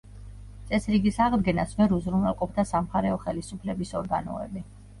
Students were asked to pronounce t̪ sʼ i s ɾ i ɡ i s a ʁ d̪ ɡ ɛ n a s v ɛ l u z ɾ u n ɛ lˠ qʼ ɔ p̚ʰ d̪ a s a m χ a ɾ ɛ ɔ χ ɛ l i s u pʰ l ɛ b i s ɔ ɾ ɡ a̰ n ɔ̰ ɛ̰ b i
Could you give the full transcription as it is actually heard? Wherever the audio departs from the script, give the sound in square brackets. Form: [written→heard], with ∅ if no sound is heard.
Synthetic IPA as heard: t̪ sʼ [i→ɛ] s ɾ i ɡ i s a ʁ d̪ ɡ ɛ n a s v ɛ [l→ɾ] u z ɾ u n ɛ lˠ qʼ ɔ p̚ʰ d̪ a s a m χ a ɾ ɛ ɔ χ ɛ l i s u pʰ l ɛ b i s ɔ ɾ ɡ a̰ n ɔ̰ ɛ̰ b i